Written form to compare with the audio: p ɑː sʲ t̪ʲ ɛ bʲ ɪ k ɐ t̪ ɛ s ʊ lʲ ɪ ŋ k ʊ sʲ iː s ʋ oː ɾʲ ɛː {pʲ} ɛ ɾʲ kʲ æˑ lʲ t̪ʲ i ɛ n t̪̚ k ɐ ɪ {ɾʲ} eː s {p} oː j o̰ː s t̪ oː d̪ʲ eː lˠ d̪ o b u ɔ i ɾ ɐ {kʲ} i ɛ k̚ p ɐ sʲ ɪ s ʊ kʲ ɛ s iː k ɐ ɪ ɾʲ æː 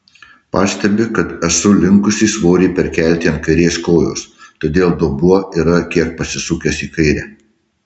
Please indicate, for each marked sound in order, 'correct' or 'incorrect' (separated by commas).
correct, correct, incorrect, correct